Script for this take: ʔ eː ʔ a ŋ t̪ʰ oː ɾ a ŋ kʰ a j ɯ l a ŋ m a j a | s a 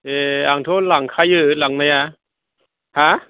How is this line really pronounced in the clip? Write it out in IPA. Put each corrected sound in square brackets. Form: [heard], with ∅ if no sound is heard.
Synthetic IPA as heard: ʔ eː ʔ a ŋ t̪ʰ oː [l] a ŋ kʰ a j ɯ l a ŋ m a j a | [h] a